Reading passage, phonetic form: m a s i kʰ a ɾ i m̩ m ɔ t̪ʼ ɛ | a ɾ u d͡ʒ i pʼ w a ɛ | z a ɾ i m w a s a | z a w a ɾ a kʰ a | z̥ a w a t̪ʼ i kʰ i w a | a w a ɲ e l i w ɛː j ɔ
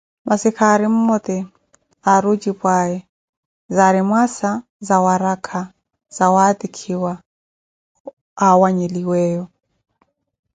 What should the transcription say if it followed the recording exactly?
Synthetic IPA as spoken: m a s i kʰ a ɾ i m̩ m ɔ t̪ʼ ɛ | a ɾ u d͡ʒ i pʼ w a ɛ | z a ɾ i m w a s a | z a w a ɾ a kʰ a | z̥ a w a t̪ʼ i kʰ i w a | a w a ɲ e l i w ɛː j ɔ